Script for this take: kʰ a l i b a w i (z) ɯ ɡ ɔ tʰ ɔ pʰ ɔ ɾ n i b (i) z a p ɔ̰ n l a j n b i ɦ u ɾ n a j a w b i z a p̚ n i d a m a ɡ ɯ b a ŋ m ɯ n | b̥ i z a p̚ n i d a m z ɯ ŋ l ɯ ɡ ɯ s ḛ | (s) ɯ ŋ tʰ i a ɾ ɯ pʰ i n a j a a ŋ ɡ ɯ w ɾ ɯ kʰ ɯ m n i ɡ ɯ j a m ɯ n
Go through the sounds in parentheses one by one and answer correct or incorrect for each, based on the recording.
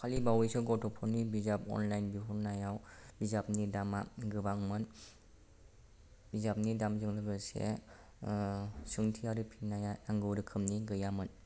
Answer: incorrect, correct, correct

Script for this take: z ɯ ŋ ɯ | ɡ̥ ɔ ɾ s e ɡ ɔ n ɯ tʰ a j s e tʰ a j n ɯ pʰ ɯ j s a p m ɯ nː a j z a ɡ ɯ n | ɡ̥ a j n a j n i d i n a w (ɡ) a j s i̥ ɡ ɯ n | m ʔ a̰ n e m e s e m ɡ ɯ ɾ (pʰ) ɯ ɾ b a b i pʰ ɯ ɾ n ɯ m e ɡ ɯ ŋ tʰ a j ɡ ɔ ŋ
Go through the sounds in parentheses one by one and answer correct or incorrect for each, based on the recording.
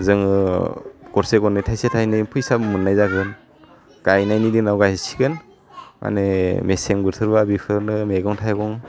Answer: correct, incorrect

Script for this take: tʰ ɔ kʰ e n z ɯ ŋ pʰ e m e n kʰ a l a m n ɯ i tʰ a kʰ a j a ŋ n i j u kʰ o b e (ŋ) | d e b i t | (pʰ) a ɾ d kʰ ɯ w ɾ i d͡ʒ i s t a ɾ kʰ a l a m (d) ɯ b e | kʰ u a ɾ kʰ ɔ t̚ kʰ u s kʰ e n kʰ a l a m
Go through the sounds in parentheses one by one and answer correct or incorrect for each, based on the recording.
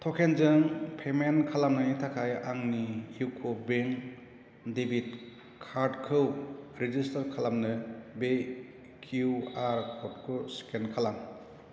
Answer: correct, incorrect, incorrect

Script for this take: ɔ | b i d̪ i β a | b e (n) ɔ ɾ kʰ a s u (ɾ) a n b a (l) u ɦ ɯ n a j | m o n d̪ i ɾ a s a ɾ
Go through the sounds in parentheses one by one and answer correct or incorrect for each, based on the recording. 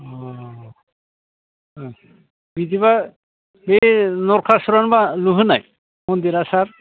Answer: correct, correct, correct

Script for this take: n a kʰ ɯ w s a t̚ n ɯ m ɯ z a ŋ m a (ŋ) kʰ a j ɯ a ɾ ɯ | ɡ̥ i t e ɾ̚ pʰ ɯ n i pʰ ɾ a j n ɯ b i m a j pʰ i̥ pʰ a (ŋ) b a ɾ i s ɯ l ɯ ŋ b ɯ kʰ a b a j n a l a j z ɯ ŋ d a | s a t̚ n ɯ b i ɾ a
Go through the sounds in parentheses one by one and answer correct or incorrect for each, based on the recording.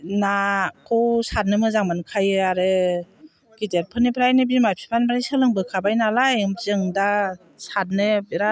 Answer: incorrect, incorrect

